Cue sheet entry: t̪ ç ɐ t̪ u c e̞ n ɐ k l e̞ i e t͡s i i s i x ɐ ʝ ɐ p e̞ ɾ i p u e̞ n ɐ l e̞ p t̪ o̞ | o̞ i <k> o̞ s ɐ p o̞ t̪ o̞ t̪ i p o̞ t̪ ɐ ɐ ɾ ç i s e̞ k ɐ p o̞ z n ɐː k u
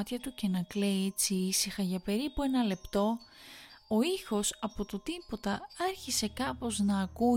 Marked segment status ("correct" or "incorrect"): incorrect